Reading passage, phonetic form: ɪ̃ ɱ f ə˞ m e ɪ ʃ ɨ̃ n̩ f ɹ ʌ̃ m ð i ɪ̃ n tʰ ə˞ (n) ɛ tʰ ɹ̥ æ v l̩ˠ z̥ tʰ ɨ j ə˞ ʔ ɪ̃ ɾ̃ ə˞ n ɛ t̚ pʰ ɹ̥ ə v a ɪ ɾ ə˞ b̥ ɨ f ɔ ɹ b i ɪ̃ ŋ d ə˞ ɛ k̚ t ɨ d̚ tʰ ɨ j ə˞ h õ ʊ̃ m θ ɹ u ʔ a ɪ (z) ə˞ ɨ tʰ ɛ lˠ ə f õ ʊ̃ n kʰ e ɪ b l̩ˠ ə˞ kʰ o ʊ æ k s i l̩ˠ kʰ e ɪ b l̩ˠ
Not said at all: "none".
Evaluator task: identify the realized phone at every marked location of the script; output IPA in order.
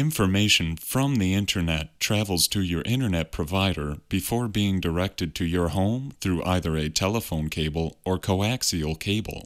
n, ð

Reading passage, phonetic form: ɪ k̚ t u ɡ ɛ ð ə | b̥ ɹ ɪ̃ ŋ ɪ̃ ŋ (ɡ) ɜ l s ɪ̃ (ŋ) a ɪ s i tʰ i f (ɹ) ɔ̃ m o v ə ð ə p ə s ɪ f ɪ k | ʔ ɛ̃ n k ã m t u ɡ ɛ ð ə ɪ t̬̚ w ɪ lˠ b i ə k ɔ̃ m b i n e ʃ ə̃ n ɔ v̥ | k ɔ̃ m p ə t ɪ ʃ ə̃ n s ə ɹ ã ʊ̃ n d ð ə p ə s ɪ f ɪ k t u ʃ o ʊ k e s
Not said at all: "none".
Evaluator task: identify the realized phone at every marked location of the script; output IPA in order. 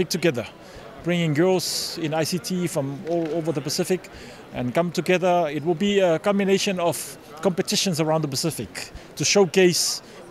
ɡ, n, ɹ

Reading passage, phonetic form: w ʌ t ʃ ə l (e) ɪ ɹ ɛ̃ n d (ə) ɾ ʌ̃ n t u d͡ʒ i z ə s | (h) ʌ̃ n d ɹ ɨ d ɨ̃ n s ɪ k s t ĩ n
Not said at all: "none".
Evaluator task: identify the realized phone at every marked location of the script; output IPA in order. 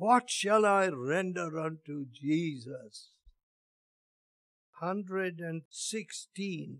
a, ə, h

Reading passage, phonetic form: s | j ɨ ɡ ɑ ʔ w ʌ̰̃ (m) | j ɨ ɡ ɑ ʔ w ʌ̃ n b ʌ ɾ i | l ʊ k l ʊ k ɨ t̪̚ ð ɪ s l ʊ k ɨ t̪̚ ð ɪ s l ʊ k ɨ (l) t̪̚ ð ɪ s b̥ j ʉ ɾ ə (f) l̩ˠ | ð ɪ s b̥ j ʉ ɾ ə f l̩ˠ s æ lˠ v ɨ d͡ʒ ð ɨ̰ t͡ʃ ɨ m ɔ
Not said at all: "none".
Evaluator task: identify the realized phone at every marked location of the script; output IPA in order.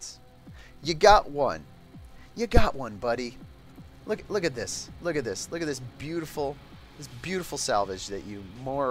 n, none, f

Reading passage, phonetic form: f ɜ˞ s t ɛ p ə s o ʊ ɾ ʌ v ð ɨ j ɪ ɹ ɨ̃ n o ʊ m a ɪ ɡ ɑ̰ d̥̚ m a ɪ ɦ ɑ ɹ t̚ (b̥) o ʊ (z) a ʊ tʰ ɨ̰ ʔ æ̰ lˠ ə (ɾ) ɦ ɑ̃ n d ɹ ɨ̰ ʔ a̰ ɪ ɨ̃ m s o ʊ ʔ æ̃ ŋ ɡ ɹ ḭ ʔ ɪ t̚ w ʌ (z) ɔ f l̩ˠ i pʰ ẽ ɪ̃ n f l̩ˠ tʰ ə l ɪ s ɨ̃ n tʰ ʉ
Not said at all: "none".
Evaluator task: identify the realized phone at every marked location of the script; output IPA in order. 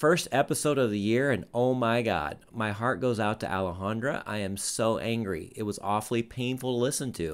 ɡ̥, z, none, z

